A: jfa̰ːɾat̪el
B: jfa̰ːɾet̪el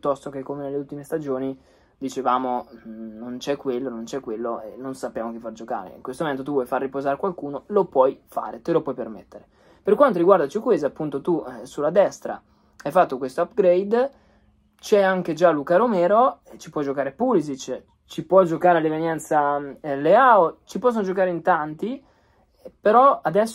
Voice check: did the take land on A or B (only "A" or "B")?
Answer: B